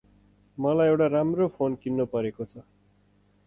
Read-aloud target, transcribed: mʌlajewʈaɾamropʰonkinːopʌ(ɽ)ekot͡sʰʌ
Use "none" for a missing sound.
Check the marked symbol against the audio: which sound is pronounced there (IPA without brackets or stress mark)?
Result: ɾ